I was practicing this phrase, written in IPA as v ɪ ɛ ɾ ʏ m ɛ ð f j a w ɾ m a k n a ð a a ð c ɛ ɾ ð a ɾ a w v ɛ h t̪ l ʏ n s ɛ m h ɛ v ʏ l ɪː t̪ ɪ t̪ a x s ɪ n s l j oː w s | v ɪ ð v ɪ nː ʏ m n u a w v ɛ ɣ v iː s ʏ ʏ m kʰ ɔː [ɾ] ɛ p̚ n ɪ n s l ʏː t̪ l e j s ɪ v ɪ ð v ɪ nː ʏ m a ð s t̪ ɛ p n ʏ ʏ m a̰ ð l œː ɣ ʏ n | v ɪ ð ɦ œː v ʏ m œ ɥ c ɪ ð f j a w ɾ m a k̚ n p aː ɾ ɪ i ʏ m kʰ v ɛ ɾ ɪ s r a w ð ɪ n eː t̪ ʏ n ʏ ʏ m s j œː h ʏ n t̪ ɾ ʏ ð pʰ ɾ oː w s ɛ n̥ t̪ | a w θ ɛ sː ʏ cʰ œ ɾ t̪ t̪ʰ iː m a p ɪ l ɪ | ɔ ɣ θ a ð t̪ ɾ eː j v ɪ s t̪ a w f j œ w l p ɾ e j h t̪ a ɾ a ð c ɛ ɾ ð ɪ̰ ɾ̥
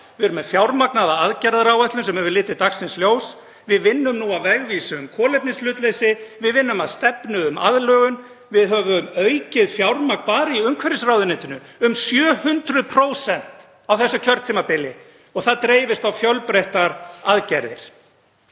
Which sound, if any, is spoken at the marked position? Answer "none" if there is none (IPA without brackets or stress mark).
l